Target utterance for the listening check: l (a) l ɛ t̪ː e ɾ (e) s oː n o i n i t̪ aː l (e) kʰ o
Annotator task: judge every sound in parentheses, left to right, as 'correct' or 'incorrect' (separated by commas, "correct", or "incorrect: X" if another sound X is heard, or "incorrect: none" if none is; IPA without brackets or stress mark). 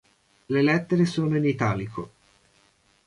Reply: incorrect: e, correct, incorrect: i